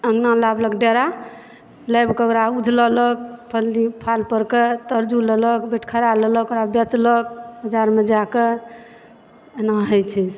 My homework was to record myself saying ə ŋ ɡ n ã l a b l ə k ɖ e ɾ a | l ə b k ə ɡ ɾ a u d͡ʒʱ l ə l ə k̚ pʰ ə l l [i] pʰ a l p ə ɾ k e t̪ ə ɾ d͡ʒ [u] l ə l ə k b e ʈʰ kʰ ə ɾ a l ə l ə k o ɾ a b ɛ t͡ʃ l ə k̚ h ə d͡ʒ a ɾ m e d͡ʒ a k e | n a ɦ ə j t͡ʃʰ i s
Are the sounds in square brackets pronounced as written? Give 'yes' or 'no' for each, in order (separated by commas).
yes, yes